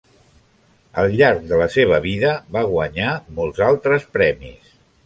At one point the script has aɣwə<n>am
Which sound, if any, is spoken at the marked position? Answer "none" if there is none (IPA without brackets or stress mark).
ɲ